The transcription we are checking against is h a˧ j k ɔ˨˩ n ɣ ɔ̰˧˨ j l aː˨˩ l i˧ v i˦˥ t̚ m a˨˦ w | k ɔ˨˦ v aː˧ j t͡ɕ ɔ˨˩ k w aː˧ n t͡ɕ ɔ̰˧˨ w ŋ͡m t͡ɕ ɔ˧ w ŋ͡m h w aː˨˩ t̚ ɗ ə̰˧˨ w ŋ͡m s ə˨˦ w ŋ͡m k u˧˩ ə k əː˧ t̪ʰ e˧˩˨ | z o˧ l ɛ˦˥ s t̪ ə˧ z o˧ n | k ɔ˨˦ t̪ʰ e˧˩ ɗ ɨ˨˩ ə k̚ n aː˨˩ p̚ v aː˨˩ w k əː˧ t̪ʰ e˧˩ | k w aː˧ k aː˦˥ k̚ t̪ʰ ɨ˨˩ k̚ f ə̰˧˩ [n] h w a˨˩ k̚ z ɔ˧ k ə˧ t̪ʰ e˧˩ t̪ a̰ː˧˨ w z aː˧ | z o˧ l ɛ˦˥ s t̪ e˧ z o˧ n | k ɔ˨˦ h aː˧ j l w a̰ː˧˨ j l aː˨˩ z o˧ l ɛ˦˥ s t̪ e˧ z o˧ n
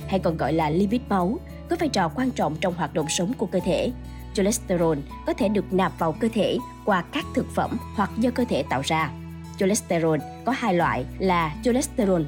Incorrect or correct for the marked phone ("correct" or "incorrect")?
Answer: incorrect